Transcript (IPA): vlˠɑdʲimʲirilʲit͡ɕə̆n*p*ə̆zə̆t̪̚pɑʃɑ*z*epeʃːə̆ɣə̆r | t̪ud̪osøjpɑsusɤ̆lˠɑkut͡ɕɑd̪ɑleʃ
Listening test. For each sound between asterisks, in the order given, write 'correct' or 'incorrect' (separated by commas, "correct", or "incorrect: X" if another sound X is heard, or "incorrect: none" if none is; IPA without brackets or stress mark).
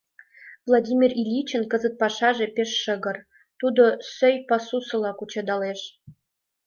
incorrect: k, incorrect: ʒ